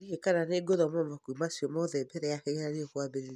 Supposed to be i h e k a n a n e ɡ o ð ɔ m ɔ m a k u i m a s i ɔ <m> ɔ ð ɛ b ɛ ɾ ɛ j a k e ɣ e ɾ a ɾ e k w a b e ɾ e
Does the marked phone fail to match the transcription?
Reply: no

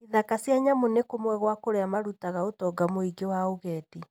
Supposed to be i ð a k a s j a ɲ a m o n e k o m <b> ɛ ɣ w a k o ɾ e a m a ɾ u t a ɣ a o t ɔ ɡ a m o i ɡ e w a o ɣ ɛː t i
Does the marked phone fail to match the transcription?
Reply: yes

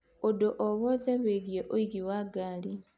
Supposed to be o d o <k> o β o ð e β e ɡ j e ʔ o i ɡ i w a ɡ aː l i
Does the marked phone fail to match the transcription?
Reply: yes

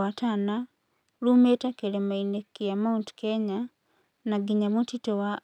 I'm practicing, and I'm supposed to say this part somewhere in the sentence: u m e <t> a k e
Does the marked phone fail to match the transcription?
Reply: no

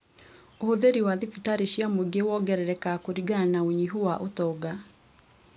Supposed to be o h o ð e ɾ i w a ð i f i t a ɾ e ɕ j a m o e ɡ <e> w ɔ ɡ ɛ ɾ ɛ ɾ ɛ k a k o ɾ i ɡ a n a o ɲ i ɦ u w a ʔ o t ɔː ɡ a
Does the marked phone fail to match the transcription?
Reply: no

